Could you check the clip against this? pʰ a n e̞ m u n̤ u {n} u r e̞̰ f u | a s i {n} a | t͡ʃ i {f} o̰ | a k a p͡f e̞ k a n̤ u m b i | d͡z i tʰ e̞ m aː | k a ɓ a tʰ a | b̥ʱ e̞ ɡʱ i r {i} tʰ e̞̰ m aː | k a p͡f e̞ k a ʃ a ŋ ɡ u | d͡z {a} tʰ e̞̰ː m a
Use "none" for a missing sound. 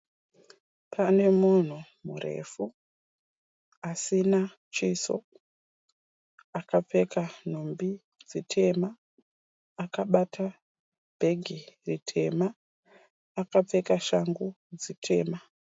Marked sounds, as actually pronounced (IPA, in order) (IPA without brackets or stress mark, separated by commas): m, n, s, i, i